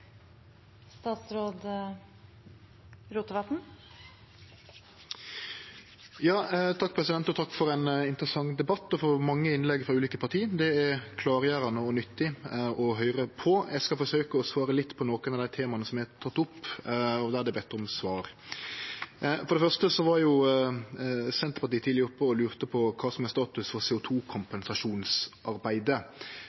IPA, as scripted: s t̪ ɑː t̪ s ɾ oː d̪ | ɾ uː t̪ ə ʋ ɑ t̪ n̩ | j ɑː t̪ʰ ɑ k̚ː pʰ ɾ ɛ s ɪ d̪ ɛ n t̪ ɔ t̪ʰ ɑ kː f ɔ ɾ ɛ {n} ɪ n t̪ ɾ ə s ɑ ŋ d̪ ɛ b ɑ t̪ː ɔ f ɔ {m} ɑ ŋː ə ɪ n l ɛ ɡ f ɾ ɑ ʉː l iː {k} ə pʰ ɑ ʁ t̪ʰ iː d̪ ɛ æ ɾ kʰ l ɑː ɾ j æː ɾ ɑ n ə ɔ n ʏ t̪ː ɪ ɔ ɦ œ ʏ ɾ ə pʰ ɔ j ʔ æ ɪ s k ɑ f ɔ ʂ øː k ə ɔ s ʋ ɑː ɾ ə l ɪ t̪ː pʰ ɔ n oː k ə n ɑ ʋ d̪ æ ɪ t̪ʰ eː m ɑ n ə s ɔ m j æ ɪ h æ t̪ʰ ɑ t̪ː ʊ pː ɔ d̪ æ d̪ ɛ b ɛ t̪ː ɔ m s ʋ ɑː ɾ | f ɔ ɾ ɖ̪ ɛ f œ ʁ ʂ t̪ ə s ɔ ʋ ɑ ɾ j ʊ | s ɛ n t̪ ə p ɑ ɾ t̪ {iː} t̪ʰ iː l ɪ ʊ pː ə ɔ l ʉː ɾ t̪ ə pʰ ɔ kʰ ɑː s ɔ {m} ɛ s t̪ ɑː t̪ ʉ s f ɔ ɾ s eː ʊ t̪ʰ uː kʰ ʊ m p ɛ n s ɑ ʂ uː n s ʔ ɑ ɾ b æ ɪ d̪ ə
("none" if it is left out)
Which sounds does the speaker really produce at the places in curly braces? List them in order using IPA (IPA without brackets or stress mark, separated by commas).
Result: n, m, k, iː, m